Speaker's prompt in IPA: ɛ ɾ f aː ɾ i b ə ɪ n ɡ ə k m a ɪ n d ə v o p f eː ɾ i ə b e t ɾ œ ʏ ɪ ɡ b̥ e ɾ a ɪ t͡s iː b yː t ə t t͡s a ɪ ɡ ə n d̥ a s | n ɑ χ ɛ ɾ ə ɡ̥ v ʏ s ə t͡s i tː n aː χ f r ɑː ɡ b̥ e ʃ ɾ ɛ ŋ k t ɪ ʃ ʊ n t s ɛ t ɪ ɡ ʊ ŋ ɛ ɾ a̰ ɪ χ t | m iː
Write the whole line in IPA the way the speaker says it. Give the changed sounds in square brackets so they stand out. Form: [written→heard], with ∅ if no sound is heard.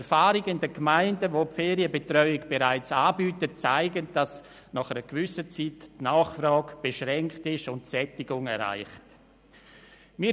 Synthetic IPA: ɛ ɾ f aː ɾ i [b→ɡ] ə ɪ n [ɡ→d] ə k m a ɪ n d ə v o p f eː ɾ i ə b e t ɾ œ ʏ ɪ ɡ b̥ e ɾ a ɪ t͡s [iː→aː] b yː t ə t t͡s a ɪ ɡ ə n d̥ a s | n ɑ χ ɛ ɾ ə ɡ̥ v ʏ s ə t͡s i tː n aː χ f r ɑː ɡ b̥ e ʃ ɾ ɛ ŋ k t ɪ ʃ ʊ n t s ɛ t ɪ ɡ ʊ ŋ ɛ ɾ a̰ ɪ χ t | m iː

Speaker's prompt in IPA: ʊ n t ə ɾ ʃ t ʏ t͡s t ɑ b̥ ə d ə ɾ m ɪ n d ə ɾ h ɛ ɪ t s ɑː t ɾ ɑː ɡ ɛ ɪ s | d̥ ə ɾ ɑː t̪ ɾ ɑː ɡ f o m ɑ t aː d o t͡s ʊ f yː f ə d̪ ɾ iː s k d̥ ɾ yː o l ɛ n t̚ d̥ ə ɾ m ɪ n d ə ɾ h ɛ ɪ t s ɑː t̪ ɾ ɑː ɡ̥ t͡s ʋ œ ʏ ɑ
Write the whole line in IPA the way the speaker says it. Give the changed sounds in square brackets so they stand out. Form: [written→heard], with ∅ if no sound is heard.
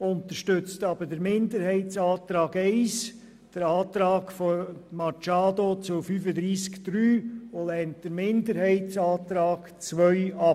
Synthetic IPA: ʊ n t ə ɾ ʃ t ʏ t͡s t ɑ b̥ ə d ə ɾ m ɪ n d ə ɾ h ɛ ɪ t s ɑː t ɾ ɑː ɡ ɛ ɪ s | d̥ ə ɾ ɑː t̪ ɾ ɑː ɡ f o m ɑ [t→t͡ʃ] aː d o t͡s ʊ f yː f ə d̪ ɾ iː s k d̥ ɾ yː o l ɛ n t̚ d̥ ə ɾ m ɪ n d ə ɾ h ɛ ɪ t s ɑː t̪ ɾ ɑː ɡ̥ t͡s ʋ œ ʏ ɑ

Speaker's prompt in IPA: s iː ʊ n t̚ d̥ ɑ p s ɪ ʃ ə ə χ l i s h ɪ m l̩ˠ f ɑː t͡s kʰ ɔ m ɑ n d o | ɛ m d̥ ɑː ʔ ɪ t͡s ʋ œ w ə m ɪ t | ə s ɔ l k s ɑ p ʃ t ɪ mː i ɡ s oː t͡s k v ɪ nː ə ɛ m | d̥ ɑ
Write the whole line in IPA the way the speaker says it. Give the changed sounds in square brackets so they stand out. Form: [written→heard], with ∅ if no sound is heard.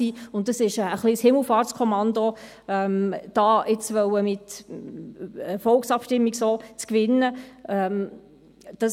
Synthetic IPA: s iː ʊ n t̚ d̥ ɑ [p→∅] s ɪ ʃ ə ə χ l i s h ɪ m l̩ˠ f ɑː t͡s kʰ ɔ m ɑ n d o | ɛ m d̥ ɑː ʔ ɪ t͡s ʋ œ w ə m ɪ t | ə [s→f] ɔ l k s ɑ p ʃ t ɪ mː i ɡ s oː t͡s k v ɪ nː ə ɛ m | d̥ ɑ

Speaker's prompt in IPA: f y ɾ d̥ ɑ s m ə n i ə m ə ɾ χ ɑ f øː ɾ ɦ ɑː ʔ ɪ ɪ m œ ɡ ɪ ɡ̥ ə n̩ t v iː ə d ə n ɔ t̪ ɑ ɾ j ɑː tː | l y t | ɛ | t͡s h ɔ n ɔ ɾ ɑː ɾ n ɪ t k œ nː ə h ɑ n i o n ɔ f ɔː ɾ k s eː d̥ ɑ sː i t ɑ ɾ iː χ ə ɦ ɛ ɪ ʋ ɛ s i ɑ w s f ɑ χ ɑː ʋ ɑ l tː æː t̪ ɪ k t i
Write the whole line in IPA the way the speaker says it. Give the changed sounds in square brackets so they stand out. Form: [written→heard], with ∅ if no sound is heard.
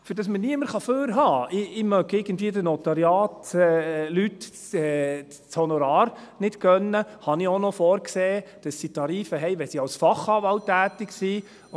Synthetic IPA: f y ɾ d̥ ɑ s m ə n i ə m ə ɾ χ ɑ f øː ɾ ɦ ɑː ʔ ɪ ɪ m œ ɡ ɪ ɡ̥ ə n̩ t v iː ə d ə n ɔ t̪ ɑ ɾ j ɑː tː | l y t | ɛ | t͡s h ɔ n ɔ ɾ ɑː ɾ n ɪ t k œ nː ə h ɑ n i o n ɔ f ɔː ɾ k s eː d̥ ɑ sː i t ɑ ɾ iː [χ→f] ə ɦ ɛ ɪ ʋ ɛ s i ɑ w s f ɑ χ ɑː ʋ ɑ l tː æː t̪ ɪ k [t→s] i

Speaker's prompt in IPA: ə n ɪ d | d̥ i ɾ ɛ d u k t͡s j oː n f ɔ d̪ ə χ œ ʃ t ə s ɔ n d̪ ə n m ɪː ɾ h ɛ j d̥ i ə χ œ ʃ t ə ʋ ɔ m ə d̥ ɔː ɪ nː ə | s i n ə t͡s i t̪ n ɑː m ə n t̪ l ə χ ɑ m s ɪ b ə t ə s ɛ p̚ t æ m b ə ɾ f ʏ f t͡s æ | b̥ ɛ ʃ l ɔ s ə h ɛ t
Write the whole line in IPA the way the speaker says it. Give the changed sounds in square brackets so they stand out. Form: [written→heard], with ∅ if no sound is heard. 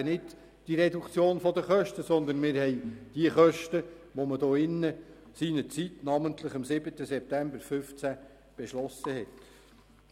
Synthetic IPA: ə n ɪ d | d̥ i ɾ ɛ d u k t͡s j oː n f ɔ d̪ ə χ œ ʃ t ə s ɔ n d̪ ə n m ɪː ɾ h ɛ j d̥ i ə χ œ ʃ t ə ʋ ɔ m ə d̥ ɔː ɪ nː ə | s i n ə t͡s i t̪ n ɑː m ə n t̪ l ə χ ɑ m s ɪ b ə t ə s ɛ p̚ t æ m b ə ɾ f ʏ f t͡s æ | b̥ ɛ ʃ l ɔ s ə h ɛ t

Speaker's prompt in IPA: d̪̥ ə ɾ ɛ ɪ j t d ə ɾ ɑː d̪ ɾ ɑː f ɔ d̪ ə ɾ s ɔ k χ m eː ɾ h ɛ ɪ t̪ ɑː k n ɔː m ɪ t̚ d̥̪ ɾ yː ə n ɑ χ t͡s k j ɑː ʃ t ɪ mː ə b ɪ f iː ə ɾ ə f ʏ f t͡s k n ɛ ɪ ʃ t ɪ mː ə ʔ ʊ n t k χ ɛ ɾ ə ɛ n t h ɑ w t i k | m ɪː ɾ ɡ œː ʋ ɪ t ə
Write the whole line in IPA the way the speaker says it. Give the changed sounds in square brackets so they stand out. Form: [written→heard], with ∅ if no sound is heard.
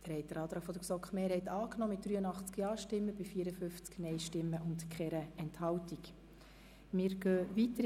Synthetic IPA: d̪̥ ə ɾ ɛ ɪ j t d ə ɾ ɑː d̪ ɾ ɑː f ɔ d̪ ə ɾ s ɔ k χ m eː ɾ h ɛ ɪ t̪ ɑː k n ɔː m ɪ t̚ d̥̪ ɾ yː ə n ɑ χ t͡s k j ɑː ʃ t ɪ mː ə b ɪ f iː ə ɾ ə f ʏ f t͡s k n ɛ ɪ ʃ t ɪ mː ə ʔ ʊ n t k χ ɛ ɾ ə ɛ n t h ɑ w t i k | m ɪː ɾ ɡ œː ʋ [ɪ→i] t ə

